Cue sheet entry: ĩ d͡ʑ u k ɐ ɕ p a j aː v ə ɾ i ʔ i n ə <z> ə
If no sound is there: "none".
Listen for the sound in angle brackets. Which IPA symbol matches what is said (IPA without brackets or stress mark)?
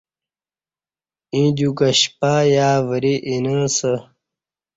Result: s